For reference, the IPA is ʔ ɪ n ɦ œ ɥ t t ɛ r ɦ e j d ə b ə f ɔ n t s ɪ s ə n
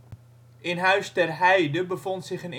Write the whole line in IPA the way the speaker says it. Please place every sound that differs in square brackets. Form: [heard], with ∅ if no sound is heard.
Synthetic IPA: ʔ ɪ n ɦ œ ɥ [s] t ɛ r ɦ [ɛ] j d ə b ə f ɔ n t s ɪ [χ] ə n

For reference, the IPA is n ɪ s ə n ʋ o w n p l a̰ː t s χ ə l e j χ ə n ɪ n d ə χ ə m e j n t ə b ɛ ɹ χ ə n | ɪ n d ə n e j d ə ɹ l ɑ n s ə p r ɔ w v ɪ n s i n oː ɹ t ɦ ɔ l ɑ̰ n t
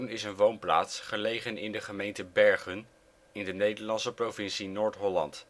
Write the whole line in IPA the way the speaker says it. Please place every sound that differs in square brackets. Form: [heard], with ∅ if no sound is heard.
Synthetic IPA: n ɪ s ə n ʋ o w n p l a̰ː t s χ ə l e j χ ə n ɪ n d ə χ ə m e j n t ə b ɛ ɹ χ ə n | ɪ n d ə n e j d ə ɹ l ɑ n s ə p r [o] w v ɪ n s i n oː ɹ t ɦ ɔ l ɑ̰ n t

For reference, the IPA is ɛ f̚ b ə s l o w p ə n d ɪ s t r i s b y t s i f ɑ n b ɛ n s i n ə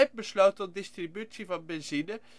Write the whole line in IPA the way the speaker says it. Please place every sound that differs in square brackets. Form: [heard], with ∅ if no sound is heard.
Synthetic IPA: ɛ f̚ b ə s l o w [t] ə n d ɪ s t r i [∅] b y t s i [v] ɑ n b ɛ n [z] i n ə

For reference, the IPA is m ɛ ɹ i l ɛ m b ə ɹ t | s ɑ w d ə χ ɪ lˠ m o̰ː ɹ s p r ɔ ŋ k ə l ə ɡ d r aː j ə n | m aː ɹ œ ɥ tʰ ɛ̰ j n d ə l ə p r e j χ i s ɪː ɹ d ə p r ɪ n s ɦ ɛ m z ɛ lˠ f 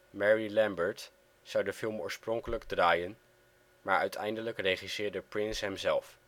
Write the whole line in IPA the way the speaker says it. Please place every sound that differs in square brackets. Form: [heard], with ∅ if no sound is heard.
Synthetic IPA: m ɛ ɹ i l ɛ m b ə ɹ t | s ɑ w d ə [f] ɪ lˠ m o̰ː ɹ s p r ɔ ŋ k ə l ə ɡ d r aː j ə n | m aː ɹ œ ɥ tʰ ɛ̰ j n d ə l ə [k] r e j χ i s ɪː ɹ d ə p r ɪ n s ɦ ɛ m z ɛ lˠ f

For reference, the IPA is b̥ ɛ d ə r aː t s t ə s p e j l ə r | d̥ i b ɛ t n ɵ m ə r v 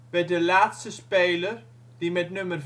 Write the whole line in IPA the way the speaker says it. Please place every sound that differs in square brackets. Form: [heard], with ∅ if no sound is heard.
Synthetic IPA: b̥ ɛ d ə [l] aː t s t ə s p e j l ə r | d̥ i [m] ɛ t n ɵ m ə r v

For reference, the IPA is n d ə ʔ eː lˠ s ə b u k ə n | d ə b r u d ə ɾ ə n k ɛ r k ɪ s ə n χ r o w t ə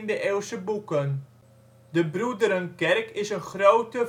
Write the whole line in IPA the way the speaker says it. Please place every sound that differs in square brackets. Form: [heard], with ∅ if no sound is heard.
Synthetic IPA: n d ə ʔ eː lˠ s ə b u k ə n | d ə b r u d ə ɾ ə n k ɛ r k ɪ s ə n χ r o w t ə

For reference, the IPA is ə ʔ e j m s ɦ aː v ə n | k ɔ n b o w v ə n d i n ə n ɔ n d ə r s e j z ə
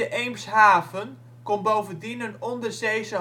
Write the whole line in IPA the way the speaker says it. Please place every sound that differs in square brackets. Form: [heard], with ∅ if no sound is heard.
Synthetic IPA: ə ʔ e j m s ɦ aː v ə n | k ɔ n b o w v ə n d i n ə n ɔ n d ə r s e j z ə

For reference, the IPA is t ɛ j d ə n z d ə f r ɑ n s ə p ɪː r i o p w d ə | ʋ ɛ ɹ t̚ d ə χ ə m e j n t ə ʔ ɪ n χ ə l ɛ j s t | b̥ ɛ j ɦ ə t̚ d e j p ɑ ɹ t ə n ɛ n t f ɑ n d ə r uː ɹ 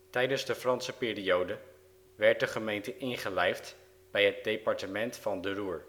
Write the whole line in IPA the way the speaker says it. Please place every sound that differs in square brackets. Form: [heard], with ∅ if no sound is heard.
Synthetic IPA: t ɛ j d ə n z d ə f r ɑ n s ə p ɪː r i o [∅] w d ə | ʋ ɛ ɹ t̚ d ə χ ə m e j n t ə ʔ ɪ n χ ə l ɛ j [f] t | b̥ ɛ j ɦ ə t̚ d e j p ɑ ɹ t ə [m] ɛ n t f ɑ n d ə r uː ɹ

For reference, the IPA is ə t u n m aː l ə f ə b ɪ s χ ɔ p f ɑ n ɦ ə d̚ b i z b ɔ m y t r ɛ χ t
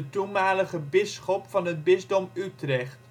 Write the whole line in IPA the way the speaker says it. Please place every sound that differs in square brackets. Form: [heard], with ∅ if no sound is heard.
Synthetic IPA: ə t u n m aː l ə [χ] ə b ɪ s χ ɔ p f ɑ n ɦ ə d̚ b [ɪ] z [d] ɔ m y t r ɛ χ t

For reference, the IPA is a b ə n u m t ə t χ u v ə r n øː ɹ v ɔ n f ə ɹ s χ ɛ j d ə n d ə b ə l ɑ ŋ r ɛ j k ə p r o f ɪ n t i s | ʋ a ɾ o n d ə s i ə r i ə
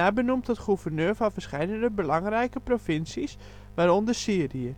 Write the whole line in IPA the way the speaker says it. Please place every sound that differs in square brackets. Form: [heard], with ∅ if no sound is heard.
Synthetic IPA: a b ə n u m t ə t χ u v ə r n øː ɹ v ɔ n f ə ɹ s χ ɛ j d ə n d ə b ə l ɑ ŋ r ɛ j k ə p r o f ɪ n [s] i s | ʋ a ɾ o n d ə s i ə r i ə

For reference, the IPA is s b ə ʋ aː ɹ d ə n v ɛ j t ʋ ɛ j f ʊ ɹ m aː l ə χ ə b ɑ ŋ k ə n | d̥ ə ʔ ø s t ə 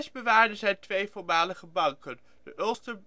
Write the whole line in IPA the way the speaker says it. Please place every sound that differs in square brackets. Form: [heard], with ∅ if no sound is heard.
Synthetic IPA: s b ə ʋ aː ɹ d ə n [z] ɛ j t ʋ [e] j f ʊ ɹ m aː l ə χ ə b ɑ ŋ k ə n | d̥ ə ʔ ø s t ə

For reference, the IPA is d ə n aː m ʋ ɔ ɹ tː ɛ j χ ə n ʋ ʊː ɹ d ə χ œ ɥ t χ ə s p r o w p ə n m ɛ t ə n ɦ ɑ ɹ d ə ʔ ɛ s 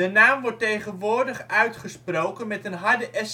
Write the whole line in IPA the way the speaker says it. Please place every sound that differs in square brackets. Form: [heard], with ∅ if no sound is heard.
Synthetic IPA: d ə n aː m ʋ ɔ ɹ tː [e] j χ ə n ʋ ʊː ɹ d ə χ œ ɥ t χ ə s p r o w [k] ə n m ɛ t ə n ɦ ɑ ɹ d ə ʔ ɛ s

